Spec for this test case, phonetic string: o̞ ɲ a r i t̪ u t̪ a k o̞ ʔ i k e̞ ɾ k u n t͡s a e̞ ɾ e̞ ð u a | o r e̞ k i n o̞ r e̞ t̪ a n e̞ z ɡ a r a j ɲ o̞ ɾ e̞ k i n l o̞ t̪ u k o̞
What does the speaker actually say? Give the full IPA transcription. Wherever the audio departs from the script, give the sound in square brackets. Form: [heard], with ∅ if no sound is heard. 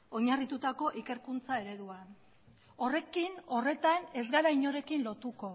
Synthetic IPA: o̞ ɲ a r i t̪ u t̪ a k o̞ ʔ i k e̞ ɾ k u n t͡s a e̞ ɾ e̞ ð u a | o r e̞ k i n o̞ r e̞ t̪ a n e̞ z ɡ a [ɾ] a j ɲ o̞ ɾ e̞ k i n l o̞ t̪ u k o̞